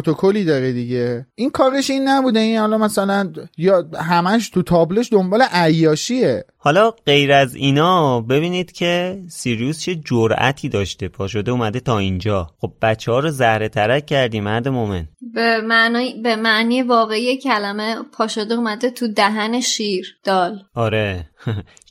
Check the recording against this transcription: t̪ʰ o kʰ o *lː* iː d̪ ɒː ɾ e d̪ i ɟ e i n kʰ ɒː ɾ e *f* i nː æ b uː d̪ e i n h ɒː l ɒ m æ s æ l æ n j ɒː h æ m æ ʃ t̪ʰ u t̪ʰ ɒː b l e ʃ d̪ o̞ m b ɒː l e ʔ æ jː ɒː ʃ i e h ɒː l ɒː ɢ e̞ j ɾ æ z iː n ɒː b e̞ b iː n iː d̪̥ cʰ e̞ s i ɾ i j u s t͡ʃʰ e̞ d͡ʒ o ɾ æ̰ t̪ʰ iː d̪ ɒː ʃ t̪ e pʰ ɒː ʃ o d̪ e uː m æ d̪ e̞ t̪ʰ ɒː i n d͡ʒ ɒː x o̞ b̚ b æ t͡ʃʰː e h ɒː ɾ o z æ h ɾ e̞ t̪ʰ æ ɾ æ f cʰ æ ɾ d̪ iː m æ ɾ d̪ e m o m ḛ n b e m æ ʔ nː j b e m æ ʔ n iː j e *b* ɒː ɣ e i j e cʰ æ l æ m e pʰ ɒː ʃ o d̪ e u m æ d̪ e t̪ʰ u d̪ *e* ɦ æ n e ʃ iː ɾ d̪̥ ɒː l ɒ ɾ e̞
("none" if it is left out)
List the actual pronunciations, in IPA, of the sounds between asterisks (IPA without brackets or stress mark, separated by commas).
l, ʃ, v, æ